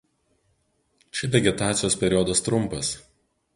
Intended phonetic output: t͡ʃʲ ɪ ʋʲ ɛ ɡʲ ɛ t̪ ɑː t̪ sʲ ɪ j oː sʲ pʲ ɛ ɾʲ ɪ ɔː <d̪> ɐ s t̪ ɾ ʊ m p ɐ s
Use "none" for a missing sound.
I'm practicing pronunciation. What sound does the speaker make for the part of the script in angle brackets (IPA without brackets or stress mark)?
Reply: d̪